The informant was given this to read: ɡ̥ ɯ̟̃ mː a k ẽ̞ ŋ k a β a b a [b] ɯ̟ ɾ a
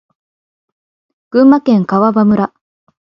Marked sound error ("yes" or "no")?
yes